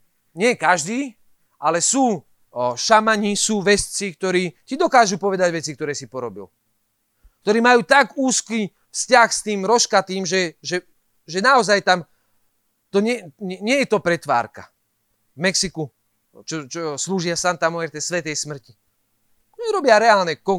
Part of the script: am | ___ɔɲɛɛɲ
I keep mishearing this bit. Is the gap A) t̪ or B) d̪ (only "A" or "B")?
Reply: A